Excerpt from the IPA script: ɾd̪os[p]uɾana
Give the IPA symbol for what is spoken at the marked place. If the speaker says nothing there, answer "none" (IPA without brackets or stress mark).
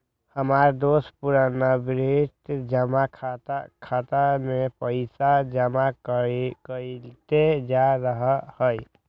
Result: p